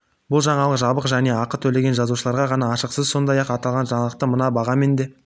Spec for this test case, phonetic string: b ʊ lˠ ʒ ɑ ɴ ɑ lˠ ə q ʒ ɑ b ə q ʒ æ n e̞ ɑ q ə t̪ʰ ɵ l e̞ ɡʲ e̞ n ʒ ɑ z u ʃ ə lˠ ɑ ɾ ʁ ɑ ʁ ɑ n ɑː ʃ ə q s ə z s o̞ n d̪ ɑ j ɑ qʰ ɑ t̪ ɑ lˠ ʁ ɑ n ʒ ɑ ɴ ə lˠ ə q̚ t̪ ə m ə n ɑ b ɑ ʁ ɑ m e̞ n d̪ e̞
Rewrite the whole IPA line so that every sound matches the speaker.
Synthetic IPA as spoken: b ʊ lˠ ʒ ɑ ɴ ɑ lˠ ə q ʒ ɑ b ə q ʒ æ n e̞ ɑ q ə t̪ʰ ɵ l e̞ ɡʲ e̞ n ʒ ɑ z u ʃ ə lˠ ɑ ɾ ʁ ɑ ʁ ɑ n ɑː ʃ ə q s ə z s o̞ n d̪ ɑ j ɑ q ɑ t̪ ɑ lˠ ʁ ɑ n ʒ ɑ ɴ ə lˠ ə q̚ t̪ ə m ə n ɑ b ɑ ʁ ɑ m e̞ n d̪ e̞